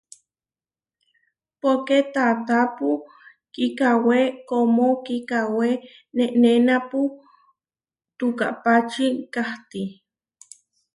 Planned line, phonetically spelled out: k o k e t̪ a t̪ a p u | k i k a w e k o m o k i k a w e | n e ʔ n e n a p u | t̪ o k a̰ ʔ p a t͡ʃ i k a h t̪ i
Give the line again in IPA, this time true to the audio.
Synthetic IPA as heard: p o k e t̪ a t̪ a p u | k i k a w e k o m o k i k a w e | n e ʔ n e n a p u | t̪ u k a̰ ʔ p a t͡ʃ i k a h t̪ i